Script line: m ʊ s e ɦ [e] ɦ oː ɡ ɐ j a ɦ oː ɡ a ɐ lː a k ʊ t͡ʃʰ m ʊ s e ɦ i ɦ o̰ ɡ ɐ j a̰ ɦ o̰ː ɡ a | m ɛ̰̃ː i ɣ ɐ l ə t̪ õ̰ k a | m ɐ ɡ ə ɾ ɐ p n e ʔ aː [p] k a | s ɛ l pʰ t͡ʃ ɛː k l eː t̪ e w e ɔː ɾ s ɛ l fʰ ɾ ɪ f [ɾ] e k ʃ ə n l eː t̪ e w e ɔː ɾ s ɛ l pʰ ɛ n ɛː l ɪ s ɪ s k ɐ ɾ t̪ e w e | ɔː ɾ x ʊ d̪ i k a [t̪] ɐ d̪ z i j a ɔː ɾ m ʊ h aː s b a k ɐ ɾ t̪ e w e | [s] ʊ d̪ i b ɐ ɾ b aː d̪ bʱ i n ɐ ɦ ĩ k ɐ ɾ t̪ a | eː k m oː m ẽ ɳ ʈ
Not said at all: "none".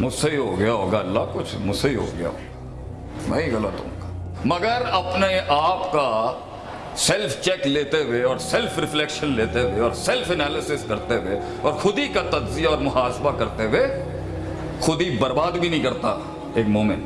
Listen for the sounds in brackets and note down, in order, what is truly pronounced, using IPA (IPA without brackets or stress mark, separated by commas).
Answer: i, p, l, t̪, x